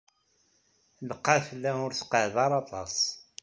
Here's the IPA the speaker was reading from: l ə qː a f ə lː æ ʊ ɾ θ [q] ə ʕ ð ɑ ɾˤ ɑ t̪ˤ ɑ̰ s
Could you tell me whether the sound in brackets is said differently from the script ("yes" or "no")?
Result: no